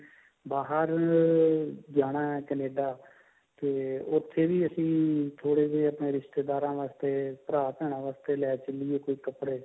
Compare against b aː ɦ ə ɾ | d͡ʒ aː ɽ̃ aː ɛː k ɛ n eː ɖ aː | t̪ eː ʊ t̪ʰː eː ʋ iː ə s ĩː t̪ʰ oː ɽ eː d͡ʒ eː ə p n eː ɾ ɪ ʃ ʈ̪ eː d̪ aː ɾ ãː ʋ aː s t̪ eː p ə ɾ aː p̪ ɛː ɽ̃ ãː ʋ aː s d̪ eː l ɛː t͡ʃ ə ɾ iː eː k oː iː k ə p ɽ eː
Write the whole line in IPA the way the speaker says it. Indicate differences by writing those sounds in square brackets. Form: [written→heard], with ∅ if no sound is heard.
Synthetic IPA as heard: b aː ɦ ə ɾ | d͡ʒ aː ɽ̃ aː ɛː k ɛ n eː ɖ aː | t̪ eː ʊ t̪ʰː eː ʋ iː ə s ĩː t̪ʰ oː ɽ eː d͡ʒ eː ə p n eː ɾ ɪ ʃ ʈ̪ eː d̪ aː ɾ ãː ʋ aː s t̪ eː p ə ɾ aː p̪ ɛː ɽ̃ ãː ʋ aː s [d̪→t̪] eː l ɛː t͡ʃ ə [ɾ→l] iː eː k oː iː k ə p ɽ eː